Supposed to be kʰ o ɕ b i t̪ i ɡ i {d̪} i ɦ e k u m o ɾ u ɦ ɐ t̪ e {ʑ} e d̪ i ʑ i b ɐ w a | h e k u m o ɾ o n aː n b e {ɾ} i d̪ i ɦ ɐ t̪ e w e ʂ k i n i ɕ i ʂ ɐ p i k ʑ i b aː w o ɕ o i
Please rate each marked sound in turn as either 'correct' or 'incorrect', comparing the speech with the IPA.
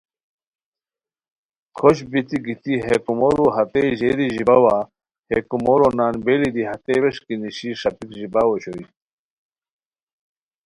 incorrect: t̪, correct, incorrect: l

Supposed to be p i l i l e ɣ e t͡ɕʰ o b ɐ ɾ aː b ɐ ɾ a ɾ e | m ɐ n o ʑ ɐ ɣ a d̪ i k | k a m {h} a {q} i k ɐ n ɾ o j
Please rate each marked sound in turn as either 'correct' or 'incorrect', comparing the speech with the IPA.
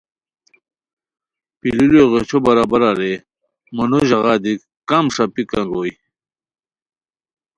incorrect: ʂ, incorrect: p

